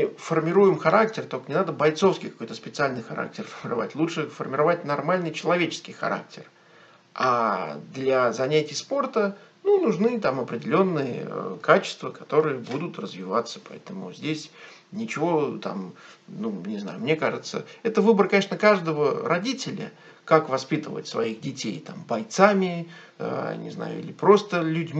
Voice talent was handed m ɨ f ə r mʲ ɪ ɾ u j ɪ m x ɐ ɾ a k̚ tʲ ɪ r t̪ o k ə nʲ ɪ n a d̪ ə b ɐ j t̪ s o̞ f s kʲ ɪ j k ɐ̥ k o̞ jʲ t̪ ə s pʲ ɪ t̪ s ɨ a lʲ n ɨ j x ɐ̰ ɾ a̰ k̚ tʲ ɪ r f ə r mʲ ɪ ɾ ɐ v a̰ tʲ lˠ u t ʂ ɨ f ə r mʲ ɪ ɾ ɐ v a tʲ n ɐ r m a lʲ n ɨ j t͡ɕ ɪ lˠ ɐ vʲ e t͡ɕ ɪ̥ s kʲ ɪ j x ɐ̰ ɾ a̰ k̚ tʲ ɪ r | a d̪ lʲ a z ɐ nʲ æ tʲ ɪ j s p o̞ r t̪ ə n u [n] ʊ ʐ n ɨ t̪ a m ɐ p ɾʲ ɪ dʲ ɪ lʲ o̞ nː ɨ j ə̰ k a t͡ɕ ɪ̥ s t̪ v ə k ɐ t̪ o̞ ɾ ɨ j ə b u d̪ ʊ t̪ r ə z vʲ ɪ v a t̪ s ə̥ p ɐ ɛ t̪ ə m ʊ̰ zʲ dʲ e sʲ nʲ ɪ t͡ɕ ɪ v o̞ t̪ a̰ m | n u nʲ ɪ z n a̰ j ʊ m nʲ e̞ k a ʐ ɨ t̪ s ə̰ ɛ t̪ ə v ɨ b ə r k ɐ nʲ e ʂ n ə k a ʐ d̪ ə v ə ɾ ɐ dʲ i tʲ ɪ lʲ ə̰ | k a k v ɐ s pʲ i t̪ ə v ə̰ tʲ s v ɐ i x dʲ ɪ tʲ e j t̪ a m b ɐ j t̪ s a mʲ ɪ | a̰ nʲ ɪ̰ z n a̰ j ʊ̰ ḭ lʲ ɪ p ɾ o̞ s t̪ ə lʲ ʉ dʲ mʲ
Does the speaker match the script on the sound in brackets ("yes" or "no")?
yes